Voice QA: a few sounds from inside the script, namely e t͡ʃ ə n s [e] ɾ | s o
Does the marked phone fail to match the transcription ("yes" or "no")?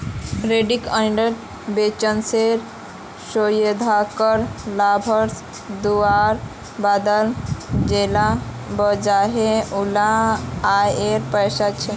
no